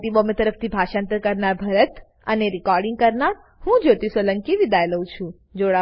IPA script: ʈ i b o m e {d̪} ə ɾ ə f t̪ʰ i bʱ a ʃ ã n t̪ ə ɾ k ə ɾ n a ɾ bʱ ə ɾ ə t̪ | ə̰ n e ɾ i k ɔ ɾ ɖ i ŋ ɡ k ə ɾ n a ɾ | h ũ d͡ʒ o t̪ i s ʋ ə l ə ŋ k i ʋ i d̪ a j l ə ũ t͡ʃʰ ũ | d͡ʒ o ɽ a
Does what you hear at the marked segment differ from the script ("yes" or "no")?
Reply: yes